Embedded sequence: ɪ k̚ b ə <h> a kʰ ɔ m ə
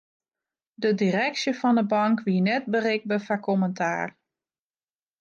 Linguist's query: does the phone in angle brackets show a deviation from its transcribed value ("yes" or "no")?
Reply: yes